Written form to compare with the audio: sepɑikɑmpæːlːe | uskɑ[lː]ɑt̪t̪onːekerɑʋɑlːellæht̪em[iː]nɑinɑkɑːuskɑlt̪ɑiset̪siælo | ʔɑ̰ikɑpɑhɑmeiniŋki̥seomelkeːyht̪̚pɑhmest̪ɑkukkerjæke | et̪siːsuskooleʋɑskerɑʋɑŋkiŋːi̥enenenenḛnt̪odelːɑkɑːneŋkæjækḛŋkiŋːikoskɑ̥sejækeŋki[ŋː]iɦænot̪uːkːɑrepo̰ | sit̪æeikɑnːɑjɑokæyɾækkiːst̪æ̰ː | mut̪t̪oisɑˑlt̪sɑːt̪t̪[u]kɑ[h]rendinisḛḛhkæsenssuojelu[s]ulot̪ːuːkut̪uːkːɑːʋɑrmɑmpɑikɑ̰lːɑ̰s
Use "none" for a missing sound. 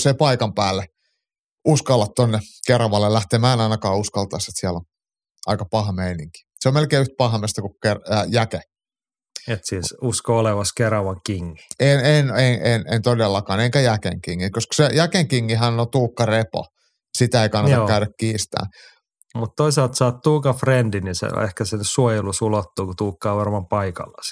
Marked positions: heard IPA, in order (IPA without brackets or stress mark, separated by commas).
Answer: lː, æː, ŋː, uː, f, s